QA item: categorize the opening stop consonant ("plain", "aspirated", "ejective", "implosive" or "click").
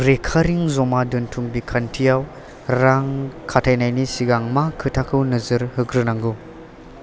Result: aspirated